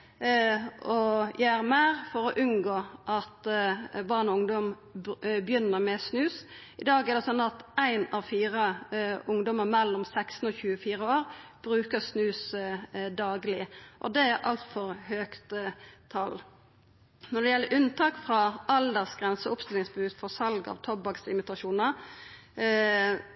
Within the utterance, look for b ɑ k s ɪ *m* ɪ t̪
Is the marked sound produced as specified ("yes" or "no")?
yes